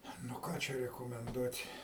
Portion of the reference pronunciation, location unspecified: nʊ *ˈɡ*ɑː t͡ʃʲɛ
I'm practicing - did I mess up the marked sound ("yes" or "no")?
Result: yes